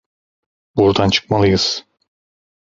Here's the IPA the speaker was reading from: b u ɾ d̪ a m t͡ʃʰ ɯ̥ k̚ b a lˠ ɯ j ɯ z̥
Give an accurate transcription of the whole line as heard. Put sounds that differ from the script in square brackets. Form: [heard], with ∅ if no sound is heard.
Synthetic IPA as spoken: b u ɾ d̪ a [n] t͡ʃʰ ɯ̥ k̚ [m] a lˠ ɯ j ɯ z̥